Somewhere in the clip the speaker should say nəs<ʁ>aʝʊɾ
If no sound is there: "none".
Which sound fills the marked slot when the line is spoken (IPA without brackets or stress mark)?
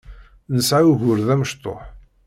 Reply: ʕ